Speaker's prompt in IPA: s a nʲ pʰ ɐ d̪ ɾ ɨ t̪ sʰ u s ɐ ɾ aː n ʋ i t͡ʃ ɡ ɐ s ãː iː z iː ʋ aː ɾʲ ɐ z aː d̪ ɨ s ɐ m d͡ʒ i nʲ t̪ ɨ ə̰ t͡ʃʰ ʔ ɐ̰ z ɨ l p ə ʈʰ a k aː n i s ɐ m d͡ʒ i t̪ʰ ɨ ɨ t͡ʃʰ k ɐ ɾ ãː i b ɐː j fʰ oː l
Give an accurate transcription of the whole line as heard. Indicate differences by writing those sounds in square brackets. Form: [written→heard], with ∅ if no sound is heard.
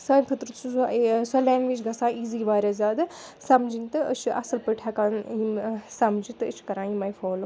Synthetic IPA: s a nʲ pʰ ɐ [d̪→t̪] ɾ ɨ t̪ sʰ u s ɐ [ɾ→l] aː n ʋ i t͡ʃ ɡ ɐ s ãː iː z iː ʋ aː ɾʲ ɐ z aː d̪ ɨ s ɐ m d͡ʒ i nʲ t̪ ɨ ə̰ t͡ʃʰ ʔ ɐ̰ [z→s] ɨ l p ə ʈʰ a k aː n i s ɐ m d͡ʒ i [t̪ʰ→t̪] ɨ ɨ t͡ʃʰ k ɐ ɾ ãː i [b→m] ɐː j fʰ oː l